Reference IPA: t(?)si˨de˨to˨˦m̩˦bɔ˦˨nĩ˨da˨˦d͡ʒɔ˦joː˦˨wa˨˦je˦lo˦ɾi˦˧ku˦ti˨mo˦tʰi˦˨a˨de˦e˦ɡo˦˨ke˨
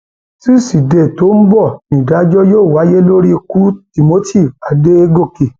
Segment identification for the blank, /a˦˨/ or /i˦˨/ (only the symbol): i˦˨